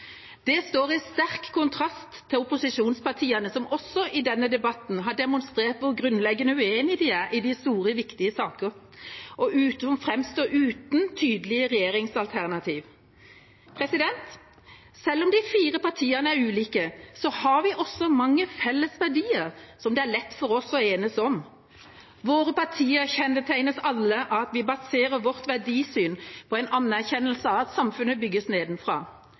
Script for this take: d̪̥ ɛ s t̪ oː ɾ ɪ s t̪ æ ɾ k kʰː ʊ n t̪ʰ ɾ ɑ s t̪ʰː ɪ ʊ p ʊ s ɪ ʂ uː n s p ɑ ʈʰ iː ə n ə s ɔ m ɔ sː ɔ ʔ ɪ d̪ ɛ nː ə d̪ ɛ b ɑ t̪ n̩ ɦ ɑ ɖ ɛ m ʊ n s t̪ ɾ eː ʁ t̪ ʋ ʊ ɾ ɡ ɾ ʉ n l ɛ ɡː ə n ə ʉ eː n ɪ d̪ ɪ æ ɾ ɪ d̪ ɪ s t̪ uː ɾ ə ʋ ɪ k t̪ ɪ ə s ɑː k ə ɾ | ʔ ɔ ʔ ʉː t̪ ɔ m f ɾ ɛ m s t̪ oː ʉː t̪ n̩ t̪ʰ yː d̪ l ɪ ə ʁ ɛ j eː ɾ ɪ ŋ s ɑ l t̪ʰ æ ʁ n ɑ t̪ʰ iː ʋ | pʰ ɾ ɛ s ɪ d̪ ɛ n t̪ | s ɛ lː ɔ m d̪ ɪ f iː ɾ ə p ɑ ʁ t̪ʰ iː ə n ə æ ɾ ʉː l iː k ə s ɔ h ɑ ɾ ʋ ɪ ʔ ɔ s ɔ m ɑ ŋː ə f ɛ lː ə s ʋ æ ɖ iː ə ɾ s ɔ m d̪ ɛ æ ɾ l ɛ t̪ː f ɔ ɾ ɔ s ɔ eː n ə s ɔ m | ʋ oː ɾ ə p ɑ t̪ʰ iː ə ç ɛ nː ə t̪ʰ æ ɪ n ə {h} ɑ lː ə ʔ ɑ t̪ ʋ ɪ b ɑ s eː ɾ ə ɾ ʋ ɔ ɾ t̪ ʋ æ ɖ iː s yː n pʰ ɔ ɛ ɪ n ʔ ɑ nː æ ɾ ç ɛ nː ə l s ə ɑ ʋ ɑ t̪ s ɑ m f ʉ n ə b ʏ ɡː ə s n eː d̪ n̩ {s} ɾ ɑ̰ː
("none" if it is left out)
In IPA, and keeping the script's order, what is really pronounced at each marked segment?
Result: s, f

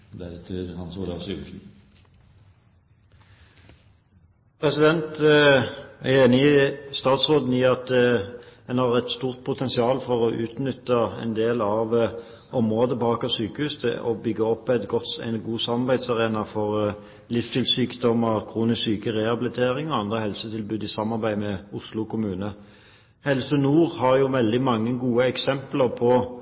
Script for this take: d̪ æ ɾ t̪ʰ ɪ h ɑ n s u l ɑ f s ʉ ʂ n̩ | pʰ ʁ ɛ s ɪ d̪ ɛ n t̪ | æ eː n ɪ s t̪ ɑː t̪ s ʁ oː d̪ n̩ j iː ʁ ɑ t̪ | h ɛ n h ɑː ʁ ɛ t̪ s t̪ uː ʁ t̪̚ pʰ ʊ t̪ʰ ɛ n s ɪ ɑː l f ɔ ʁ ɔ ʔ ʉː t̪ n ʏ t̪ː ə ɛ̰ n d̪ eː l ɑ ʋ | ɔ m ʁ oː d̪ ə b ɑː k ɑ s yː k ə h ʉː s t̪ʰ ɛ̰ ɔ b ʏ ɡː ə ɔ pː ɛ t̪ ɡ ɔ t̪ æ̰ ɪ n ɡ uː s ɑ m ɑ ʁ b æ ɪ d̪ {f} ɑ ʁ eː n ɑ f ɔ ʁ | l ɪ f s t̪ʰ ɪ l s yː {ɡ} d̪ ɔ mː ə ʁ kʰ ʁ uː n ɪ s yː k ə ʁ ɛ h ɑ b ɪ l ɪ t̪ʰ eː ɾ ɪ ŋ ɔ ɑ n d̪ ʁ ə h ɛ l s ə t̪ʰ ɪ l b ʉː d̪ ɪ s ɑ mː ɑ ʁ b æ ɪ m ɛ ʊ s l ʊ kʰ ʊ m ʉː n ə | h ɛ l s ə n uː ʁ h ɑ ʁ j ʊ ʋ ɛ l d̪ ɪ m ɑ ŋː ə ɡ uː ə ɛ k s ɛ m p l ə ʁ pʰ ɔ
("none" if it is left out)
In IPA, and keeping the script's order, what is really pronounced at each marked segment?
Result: s, k

